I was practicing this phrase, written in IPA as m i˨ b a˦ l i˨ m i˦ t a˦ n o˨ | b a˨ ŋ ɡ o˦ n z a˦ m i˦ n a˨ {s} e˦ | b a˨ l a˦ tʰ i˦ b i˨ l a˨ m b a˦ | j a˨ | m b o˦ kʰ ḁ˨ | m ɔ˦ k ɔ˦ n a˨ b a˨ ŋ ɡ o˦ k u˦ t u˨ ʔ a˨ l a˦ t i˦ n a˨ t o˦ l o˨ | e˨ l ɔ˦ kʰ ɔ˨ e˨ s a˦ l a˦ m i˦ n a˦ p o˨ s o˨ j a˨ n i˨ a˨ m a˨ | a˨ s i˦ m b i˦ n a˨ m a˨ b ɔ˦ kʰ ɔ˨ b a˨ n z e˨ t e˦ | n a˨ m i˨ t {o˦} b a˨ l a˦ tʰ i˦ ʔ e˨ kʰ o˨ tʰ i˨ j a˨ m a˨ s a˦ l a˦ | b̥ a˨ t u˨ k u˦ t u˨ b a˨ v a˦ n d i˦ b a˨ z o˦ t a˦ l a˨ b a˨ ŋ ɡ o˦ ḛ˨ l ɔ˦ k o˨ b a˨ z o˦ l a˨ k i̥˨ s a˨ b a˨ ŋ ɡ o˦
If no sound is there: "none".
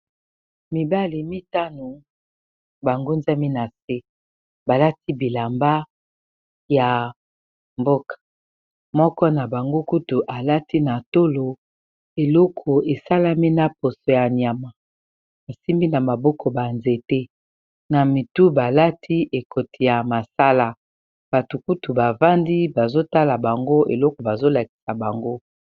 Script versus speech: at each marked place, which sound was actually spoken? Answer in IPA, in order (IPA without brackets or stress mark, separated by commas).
s, u˦